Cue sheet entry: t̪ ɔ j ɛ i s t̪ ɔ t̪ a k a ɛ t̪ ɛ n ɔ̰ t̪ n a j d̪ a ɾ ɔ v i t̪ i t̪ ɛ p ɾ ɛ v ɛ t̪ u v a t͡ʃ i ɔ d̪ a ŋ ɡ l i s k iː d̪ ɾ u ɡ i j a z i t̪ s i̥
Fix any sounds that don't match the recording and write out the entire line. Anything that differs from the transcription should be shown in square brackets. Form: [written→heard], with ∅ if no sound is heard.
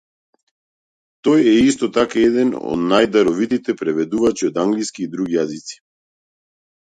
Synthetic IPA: t̪ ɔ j ɛ i s t̪ ɔ t̪ a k a ɛ [t̪→d̪] ɛ n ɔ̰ [t̪→d̪] n a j d̪ a ɾ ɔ v i t̪ i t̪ ɛ p ɾ ɛ v ɛ [t̪→d̪] u v a t͡ʃ i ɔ d̪ a ŋ ɡ l i s k iː d̪ ɾ u ɡ i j a z i t̪ s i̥